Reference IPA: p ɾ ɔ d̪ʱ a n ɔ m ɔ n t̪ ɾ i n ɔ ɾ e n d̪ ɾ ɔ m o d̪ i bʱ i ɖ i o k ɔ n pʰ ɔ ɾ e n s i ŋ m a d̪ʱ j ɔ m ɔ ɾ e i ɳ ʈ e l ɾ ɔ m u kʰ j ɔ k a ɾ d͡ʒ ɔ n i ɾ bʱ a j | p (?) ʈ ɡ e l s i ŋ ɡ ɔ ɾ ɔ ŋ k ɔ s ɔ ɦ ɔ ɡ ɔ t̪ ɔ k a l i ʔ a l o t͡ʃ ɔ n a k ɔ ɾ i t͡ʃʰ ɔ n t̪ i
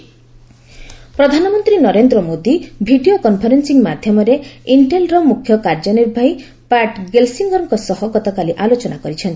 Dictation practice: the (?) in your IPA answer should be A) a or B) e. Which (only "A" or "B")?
A